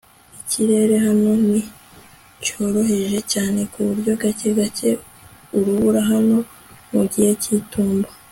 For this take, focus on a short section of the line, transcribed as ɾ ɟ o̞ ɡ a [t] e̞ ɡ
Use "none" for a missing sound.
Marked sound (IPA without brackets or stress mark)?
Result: c